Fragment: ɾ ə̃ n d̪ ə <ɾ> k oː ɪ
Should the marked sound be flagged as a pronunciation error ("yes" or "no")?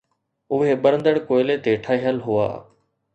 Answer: yes